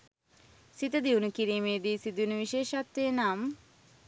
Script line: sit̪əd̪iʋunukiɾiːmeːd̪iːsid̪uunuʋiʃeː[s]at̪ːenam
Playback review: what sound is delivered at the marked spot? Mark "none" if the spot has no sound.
ʃ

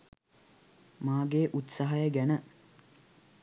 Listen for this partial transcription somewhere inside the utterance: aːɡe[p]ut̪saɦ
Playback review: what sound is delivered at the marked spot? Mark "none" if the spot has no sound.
ʔ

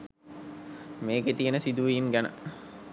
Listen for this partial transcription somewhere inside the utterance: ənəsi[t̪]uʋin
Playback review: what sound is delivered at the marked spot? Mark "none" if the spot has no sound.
d̪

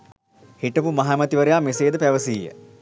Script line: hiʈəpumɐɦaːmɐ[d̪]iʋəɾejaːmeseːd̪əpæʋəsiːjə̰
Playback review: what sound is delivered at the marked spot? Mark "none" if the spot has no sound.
t̪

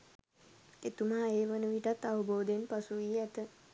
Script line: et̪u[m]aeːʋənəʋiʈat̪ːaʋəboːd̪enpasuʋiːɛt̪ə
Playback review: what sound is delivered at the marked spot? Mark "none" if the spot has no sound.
m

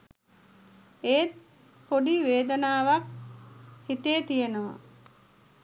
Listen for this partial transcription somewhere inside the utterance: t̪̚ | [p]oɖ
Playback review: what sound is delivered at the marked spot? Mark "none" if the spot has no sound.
p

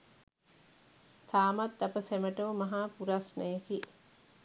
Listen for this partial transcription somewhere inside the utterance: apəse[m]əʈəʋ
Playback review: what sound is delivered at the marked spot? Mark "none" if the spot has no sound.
m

